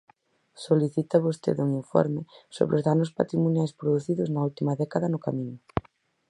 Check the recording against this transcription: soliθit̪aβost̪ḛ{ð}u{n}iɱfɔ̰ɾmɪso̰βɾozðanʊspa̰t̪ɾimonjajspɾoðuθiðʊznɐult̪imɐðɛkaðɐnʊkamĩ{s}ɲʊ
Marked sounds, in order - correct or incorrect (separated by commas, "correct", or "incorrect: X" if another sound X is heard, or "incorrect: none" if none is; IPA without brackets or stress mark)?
correct, incorrect: ŋ, incorrect: none